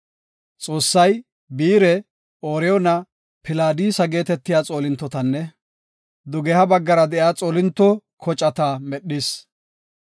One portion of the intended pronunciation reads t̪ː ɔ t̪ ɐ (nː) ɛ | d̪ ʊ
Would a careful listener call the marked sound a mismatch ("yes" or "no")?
no